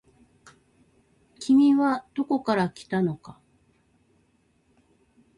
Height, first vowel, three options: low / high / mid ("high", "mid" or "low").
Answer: high